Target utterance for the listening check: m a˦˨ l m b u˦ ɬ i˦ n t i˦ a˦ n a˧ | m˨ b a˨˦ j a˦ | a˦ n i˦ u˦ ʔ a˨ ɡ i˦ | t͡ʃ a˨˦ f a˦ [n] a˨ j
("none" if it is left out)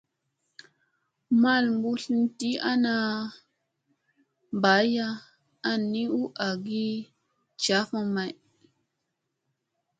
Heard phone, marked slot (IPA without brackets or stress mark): m